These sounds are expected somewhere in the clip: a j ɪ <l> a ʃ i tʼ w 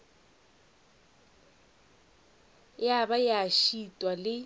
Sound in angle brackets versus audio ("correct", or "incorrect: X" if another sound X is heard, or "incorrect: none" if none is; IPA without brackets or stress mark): incorrect: none